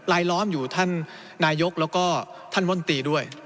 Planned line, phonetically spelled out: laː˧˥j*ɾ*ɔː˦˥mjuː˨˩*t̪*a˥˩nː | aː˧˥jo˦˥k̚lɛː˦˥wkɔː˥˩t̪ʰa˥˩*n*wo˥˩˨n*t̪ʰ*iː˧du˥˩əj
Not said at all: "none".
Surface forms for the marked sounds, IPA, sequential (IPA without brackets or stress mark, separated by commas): l, t̪ʰ, n, t̪